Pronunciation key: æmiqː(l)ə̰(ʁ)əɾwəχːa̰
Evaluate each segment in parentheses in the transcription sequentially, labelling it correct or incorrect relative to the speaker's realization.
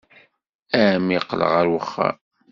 correct, correct

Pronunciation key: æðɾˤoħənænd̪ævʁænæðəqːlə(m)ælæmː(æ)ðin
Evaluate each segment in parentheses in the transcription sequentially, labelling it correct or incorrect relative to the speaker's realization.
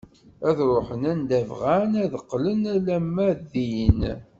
incorrect: n, correct

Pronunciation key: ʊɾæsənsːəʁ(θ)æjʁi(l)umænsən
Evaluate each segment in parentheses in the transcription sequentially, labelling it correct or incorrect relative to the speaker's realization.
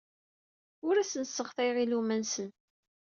correct, correct

